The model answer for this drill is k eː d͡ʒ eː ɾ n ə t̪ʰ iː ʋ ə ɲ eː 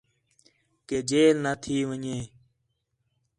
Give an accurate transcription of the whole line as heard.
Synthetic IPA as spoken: k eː d͡ʒ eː l n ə t̪ʰ iː ʋ ə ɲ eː